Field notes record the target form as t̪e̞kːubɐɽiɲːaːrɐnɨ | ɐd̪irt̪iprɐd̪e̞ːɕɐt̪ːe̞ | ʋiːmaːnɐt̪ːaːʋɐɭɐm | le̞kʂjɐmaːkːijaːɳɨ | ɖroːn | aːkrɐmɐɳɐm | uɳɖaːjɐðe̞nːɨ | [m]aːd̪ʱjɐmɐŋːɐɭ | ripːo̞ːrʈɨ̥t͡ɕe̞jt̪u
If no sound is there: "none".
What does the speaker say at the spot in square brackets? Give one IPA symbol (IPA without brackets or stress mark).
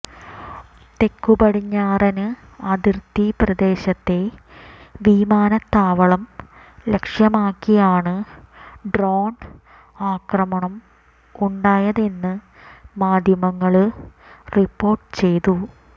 m